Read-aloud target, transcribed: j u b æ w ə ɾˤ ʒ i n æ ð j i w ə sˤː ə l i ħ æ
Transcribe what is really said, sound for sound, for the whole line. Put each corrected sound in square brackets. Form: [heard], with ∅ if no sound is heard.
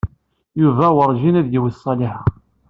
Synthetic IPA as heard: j u [v] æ w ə ɾˤ ʒ i n æ ð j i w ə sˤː [ɑ] l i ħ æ